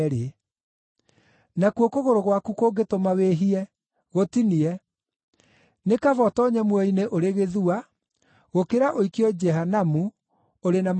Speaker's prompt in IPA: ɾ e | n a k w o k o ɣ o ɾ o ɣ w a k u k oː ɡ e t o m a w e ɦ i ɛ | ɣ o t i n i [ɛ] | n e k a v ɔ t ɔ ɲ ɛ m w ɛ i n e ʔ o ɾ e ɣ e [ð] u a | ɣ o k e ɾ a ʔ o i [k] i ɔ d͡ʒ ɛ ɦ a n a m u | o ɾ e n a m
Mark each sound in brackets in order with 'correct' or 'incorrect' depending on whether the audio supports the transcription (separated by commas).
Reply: correct, correct, correct